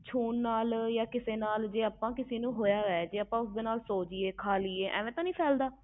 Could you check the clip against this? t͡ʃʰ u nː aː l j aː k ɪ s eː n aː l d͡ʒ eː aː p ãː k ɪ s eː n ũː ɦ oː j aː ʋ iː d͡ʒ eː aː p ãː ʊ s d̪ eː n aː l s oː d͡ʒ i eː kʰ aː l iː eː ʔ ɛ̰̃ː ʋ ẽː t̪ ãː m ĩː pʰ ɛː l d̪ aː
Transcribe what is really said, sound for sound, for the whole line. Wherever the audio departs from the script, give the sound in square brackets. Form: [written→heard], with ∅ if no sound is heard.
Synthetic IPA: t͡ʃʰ [u→uː] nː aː l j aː k ɪ s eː n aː l d͡ʒ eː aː p ãː k ɪ s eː n ũː ɦ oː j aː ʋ [iː→ɛː] d͡ʒ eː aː p ãː ʊ s d̪ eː n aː l s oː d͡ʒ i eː kʰ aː l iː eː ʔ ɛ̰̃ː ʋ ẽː t̪ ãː [m→n] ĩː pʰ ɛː l d̪ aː